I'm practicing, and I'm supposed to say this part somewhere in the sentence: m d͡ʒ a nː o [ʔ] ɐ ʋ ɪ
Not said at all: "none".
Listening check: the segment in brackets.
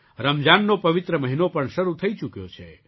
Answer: p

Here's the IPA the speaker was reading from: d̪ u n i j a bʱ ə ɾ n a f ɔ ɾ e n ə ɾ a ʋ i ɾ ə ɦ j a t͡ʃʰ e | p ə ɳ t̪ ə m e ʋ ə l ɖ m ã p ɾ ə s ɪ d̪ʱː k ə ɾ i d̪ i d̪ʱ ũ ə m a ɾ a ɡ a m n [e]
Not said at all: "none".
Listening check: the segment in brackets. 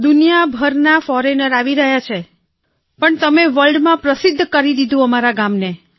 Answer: e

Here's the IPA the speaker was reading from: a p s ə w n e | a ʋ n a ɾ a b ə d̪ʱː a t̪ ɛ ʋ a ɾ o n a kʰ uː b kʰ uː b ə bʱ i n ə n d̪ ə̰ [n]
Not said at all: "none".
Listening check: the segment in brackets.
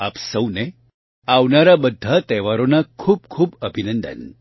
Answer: n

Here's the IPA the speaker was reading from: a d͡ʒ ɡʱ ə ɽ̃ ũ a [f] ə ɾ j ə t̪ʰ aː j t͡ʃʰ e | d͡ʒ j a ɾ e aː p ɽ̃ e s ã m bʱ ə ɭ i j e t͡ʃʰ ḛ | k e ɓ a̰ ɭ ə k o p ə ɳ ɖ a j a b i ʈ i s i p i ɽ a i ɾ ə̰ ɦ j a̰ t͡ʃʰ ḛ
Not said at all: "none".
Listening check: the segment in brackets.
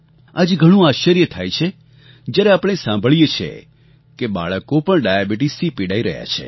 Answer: ʃ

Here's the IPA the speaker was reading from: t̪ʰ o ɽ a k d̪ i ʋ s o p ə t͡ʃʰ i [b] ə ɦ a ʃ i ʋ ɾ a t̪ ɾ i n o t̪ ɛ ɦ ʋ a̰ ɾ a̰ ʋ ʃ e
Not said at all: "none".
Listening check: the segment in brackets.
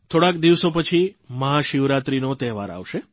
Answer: m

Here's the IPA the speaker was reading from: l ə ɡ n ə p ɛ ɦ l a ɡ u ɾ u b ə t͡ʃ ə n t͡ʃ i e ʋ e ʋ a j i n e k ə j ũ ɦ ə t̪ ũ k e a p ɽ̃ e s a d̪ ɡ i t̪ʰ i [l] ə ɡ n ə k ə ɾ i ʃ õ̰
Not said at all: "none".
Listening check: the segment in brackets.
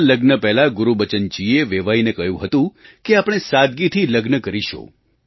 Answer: l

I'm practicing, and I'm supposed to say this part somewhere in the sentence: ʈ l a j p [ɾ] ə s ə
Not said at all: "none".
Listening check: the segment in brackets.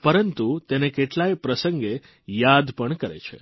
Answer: ɾ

